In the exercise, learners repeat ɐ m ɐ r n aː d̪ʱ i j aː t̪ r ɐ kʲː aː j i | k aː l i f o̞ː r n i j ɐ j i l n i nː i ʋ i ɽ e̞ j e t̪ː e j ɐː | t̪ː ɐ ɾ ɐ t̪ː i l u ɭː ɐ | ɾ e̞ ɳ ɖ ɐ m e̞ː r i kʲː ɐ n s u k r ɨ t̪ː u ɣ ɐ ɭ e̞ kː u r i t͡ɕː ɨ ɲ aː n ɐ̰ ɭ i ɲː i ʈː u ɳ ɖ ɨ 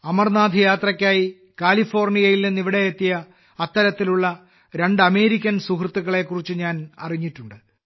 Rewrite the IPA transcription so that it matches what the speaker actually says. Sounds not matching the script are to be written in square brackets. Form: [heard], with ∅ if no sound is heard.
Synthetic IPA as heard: ɐ m ɐ r n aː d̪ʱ i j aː t̪ r ɐ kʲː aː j i | k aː l i f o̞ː r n i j ɐ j i l n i nː i ʋ i ɽ e̞ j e t̪ː [i] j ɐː | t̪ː ɐ ɾ ɐ t̪ː i l u ɭː ɐ | ɾ e̞ ɳ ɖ ɐ m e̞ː [ɾ] i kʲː ɐ n s u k r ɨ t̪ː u ɣ ɐ ɭ e̞ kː u r i t͡ɕː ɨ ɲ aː n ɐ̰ [r] i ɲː i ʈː u ɳ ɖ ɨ

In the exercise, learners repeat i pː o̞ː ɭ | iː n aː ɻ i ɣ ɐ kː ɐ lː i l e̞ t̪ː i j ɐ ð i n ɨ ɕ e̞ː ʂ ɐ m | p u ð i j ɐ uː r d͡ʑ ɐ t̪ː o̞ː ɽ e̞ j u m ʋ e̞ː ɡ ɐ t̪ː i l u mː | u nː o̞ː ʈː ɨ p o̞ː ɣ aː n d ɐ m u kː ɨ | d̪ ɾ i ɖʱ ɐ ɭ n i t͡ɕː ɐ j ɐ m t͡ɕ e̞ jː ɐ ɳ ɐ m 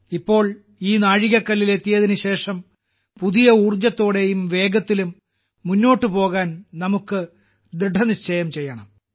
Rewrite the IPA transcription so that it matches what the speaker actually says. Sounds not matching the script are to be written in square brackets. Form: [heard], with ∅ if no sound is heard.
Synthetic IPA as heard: i pː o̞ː ɭ | iː n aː ɻ i ɣ ɐ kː ɐ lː i l e̞ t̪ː i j ɐ ð i n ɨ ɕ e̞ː ʂ ɐ m | p u ð i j ɐ uː r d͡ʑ ɐ t̪ː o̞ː ɽ e̞ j u m ʋ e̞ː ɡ ɐ t̪ː i l u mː | u nː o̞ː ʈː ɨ p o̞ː ɣ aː n [n] ɐ m u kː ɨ | d̪ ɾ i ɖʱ ɐ [∅] n i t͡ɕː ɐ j ɐ m t͡ɕ e̞ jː ɐ ɳ ɐ m

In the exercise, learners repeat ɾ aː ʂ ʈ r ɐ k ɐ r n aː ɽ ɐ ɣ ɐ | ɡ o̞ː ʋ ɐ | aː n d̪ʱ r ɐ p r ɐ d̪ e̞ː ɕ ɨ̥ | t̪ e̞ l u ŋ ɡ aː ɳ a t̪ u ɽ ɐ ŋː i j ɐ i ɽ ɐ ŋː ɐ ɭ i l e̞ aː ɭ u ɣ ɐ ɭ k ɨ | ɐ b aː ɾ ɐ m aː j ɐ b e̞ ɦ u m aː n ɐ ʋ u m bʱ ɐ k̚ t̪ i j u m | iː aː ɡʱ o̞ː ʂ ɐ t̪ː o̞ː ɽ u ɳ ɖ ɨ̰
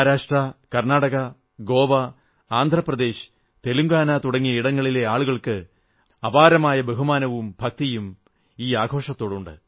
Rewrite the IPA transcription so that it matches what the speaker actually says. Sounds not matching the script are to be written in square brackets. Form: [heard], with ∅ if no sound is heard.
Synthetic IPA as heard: ɾ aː ʂ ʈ r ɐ k ɐ r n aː ɽ ɐ ɣ ɐ | ɡ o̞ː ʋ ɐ | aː n d̪ʱ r ɐ p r ɐ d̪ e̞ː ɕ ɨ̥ | t̪ e̞ l u ŋ ɡ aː [n] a t̪ u ɽ ɐ ŋː i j ɐ i ɽ ɐ ŋː ɐ ɭ i l e̞ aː ɭ u ɣ ɐ ɭ k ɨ | ɐ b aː ɾ ɐ m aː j ɐ b e̞ ɦ u m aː n ɐ ʋ u m bʱ ɐ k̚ t̪ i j u m | iː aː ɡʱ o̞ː ʂ ɐ t̪ː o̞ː ɽ u ɳ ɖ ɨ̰

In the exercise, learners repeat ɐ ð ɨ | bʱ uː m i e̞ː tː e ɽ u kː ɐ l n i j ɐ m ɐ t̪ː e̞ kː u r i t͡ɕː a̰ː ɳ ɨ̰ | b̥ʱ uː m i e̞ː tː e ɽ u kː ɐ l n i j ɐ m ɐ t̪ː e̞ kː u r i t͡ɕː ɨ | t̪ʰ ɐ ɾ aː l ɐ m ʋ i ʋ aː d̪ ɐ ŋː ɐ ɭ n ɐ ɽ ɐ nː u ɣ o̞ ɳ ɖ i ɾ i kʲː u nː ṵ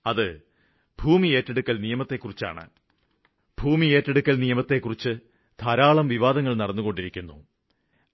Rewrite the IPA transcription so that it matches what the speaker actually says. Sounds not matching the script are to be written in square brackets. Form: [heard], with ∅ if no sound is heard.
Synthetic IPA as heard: ɐ ð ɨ | bʱ uː m i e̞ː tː e ɽ u kː ɐ l n i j ɐ m ɐ t̪ː e̞ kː u r i t͡ɕː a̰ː ɳ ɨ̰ | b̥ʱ uː m i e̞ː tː e ɽ u kː ɐ l n i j ɐ m ɐ t̪ː e̞ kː u r i t͡ɕː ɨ | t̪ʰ ɐ ɾ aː [ɭ] ɐ m ʋ i ʋ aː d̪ ɐ ŋː ɐ ɭ n ɐ ɽ ɐ nː u ɣ o̞ ɳ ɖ i ɾ i kʲː u nː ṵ

